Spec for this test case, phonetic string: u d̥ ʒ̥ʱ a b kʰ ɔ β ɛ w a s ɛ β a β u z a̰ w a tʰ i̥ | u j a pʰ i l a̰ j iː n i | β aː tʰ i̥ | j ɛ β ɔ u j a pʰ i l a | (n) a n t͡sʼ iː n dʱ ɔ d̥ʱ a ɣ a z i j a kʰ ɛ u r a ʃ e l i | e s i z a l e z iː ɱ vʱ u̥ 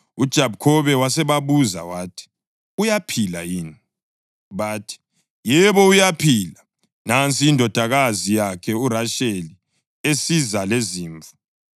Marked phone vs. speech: correct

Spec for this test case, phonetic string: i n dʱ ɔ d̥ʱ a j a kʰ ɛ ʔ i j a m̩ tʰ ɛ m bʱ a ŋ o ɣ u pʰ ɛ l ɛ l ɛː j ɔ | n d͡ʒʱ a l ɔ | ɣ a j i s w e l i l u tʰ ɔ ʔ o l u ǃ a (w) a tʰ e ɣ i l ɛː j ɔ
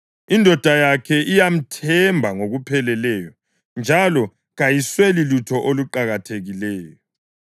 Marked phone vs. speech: incorrect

